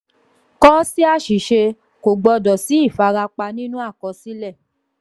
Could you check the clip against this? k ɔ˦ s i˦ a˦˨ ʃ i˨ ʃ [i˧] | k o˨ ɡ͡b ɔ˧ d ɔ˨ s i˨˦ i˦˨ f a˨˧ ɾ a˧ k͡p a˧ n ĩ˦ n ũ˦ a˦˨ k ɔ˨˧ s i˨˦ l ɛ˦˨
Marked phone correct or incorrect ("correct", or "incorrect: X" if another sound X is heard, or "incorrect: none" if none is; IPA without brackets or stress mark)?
incorrect: e˧